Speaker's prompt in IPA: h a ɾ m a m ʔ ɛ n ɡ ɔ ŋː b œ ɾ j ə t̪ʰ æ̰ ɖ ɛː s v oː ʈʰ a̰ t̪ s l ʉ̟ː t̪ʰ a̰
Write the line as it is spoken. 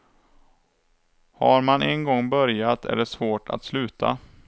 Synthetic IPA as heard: h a ɾ m a n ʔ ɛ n ɡ ɔ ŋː b œ ɾ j a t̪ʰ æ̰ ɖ ɛ s v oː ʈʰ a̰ t̪ s l ʉ̟ː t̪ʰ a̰

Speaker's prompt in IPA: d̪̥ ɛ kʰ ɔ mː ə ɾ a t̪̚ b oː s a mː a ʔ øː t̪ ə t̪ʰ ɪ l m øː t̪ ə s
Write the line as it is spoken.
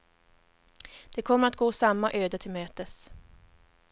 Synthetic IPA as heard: d̪̥ ɛ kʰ ɔ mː ə ɾ a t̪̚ ɡ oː s a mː a ʔ øː d̪ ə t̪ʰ ɪ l m øː t̪ ə s

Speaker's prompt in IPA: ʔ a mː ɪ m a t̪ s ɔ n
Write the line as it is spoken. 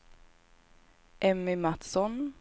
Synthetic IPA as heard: ʔ ɛ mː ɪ m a t̪ s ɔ n

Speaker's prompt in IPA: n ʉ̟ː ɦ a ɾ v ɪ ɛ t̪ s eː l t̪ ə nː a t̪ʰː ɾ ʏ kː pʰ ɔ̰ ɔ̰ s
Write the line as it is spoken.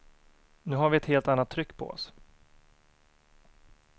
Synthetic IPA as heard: n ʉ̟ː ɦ a ɾ v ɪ ɛ t̪ h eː l t̪ a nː a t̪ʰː ɾ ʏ kː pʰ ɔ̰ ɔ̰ s

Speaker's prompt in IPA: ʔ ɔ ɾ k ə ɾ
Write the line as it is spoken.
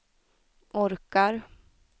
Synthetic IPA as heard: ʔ ɔ ɾ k a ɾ

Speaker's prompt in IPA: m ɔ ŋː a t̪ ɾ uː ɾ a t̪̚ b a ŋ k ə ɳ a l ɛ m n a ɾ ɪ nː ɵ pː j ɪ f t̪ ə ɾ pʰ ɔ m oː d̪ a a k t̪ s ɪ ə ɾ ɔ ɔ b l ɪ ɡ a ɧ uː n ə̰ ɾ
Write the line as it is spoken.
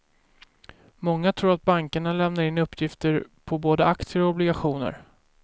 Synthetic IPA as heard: m ɔ ŋː a t̪ʰ ɾ uː ɾ a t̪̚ b a ŋ k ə ɳ a l ɛ m n a ɾ ɪ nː ɵ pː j ɪ f t̪ ə ɾ pʰ ɔ b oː d̪ ə a k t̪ s ɪ ə ɾ ɔ ɔ b l ɪ ɡ a ɧ uː n ə̰ ɾ

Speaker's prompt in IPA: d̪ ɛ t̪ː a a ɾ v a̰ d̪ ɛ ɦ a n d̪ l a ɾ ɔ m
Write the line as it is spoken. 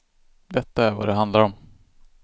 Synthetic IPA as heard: d̪ ɛ t̪ː a æ ɾ v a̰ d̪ ɛ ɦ a n d̪ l a ɾ ɔ m

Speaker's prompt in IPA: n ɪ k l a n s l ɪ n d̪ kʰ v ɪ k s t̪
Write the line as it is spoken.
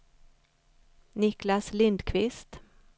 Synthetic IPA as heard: n ɪ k l a s l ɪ n d̪ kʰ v ɪ s t̪

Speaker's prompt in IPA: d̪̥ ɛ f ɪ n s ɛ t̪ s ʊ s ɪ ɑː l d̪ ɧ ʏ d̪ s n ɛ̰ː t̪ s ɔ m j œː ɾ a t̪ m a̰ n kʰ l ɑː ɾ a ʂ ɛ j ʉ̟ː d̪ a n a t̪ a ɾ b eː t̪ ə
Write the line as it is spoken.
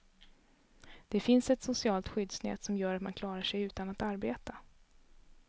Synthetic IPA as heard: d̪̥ ɛ f ɪ n s ɛ t̪ s ʊ s ɪ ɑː l t̪ ɧ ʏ d̪ s n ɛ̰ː t̪ s ɔ m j œː ɾ a t̪ m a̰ n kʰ l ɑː ɾ a ʂ ɛ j ʉ̟ː t̪ a n a t̪ a ɾ b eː t̪ a

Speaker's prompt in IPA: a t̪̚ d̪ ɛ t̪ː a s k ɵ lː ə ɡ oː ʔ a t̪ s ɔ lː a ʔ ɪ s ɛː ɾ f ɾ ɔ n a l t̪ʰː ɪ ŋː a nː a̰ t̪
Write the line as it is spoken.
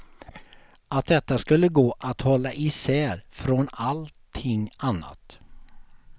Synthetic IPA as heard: a t̪̚ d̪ ɛ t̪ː a s k ɵ lː ə ɡ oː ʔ a t̪ h ɔ lː a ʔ ɪ s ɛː ɾ f ɾ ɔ n a l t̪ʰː ɪ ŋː a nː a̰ t̪

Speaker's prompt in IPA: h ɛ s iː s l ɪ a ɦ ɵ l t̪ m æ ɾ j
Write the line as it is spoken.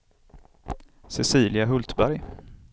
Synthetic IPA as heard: s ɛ s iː l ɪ a ɦ ɵ l t̪ b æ ɾ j

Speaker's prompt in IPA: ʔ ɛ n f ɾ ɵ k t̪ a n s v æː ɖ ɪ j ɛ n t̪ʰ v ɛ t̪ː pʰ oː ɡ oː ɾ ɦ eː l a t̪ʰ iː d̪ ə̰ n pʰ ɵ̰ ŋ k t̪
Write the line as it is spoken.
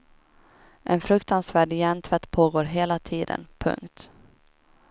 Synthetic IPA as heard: ʔ ɛ n f ɾ ɵ k t̪ a n s v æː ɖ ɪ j ɛ n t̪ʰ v ɛ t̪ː pʰ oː ɡ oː ɾ ɦ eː l a t̪ʰ iː d̪ ə̰ n pʰ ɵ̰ ŋ k t̪

